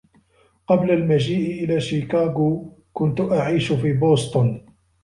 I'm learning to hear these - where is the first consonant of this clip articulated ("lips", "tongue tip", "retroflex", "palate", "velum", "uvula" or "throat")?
uvula